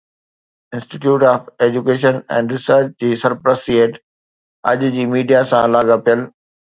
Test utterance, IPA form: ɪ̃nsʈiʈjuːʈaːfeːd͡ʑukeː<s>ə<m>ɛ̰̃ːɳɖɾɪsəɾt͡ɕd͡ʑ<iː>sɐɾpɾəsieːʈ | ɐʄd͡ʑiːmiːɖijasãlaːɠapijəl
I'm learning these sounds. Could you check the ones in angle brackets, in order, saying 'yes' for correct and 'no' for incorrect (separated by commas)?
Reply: no, no, yes